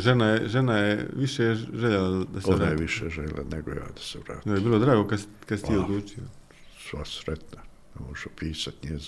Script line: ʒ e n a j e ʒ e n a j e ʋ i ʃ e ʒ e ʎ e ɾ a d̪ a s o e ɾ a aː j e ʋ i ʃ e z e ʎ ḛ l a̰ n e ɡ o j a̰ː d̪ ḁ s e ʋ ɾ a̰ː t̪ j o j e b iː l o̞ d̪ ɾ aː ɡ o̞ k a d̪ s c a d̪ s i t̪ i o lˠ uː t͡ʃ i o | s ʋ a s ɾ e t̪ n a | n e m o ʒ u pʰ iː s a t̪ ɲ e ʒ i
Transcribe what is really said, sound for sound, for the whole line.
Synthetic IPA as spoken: ʒ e n a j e ʒ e n a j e ʋ i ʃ e ʒ e ʎ e l a d̪ a s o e ɾ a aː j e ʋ i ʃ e ʒ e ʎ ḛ l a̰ n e ɡ o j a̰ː d̪ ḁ s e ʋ ɾ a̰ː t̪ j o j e b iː l o̞ d̪ ɾ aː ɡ o̞ k a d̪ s k a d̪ s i t̪ i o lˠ uː t͡ʃ i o | s ʋ a s ɾ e t̪ n a | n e m o ʒ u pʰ iː s a t̪ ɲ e z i